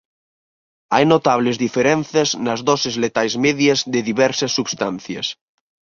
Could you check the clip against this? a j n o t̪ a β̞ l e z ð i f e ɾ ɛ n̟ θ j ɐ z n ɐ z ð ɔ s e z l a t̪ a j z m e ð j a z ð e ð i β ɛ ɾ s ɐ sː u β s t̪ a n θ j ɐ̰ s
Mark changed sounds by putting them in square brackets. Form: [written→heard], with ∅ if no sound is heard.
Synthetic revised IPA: a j n o t̪ a β̞ l e z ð i f e ɾ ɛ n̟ θ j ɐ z n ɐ z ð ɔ s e z l [a→e] t̪ a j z m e ð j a z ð e ð i β ɛ ɾ s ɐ sː u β s t̪ a n θ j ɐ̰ s